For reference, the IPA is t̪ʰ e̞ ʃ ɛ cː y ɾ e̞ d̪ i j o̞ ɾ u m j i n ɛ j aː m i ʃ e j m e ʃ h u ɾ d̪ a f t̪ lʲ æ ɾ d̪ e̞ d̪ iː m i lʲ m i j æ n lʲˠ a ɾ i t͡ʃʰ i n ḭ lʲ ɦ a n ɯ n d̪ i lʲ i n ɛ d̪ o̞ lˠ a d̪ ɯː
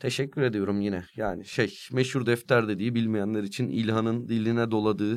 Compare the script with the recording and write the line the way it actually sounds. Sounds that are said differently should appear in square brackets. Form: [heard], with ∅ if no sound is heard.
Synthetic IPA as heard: t̪ʰ e̞ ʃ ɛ cː y ɾ e̞ d̪ i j o̞ ɾ u m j i n ɛ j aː [n] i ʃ e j m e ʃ h u ɾ d̪ [ɛ] f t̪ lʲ æ ɾ d̪ e̞ d̪ iː [b] i lʲ m i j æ n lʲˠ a ɾ i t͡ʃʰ i n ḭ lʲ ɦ a n ɯ n d̪ i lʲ i n ɛ d̪ o̞ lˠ a d̪ ɯː